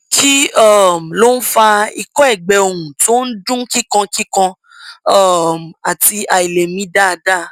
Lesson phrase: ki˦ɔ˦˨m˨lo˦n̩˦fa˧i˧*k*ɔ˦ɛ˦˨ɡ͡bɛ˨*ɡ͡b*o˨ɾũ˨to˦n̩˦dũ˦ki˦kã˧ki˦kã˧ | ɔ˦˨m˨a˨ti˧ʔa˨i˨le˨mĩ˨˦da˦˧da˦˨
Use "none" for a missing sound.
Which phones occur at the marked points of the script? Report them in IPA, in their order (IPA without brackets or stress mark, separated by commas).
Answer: k, none